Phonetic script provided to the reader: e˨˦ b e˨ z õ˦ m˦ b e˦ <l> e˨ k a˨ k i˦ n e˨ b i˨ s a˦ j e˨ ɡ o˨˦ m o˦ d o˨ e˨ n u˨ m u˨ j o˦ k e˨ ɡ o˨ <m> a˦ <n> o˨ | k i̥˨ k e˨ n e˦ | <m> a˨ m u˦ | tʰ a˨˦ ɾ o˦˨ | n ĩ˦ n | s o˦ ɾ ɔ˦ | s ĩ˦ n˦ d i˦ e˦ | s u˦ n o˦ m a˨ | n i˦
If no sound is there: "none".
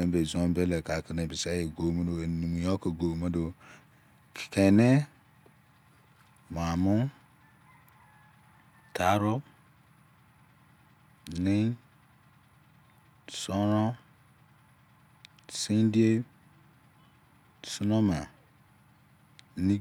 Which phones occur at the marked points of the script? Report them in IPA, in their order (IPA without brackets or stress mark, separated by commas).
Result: l, m, d, m